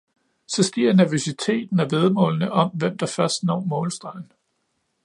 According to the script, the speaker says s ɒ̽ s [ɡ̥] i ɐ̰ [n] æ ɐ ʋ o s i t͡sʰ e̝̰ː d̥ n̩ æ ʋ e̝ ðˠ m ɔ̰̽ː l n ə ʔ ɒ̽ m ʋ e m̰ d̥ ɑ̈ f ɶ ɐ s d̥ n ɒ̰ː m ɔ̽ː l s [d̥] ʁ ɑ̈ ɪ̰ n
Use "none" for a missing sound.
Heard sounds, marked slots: ɡ̥, n, d̥

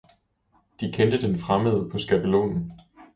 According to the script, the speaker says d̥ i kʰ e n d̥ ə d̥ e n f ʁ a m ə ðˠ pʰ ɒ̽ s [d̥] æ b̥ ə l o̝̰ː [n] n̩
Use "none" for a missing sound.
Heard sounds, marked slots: ɡ̥, n

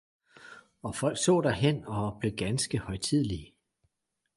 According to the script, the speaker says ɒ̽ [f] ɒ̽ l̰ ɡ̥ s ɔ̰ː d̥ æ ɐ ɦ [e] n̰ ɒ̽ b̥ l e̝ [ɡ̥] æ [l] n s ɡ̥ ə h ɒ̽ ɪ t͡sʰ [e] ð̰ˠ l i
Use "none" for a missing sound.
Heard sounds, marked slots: f, e, ɡ̥, none, i

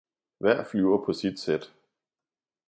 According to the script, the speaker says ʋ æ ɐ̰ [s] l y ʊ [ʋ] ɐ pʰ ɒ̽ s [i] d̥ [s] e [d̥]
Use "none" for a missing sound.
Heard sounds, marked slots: f, none, i, s, d̥

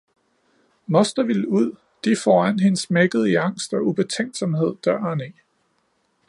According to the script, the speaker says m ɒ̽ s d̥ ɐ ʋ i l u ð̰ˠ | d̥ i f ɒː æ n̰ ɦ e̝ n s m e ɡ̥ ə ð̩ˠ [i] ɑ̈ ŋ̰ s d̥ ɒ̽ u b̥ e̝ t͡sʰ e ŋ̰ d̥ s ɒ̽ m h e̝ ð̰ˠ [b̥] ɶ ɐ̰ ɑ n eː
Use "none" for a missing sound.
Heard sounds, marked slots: i, d̥

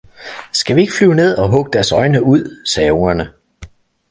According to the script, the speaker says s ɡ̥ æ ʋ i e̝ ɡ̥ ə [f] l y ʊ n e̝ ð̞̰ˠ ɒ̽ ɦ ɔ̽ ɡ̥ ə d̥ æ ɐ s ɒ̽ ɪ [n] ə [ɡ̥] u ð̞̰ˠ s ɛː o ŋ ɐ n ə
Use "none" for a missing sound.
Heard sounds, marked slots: f, n, none

